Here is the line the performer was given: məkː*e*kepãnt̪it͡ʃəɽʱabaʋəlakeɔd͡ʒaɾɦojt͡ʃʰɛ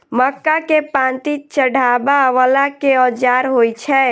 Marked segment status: incorrect: a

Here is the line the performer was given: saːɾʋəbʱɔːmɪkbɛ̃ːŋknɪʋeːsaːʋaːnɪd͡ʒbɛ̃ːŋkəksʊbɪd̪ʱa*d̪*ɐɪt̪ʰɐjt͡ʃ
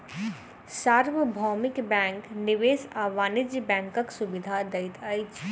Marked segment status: correct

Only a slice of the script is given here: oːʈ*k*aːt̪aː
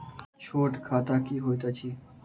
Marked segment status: incorrect: kʰ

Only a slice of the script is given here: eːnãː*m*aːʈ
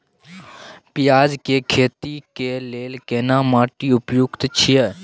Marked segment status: correct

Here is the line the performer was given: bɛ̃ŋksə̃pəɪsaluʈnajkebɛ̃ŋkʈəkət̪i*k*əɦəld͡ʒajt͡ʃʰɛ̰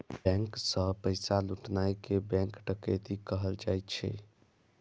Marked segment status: correct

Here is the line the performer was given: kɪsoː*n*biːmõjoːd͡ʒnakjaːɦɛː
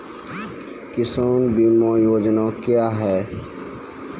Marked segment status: correct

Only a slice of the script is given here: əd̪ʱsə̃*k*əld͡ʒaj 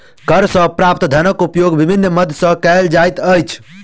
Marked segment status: correct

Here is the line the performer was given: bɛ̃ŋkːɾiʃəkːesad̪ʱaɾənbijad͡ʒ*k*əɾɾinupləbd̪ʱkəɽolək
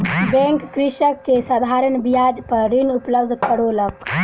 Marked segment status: incorrect: p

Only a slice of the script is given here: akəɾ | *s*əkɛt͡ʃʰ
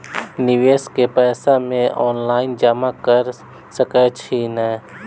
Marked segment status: correct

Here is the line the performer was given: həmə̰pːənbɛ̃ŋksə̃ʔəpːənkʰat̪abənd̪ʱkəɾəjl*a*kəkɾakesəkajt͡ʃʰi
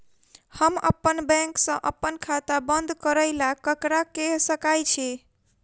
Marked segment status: correct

